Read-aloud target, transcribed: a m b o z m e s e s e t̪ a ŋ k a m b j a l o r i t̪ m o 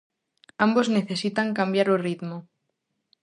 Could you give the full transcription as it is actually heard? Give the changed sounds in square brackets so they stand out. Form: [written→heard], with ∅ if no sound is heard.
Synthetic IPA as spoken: a m b o z [m→n] e [s→θ] e s [e→i] t̪ a ŋ k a m b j a [l→ɾ] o r i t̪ m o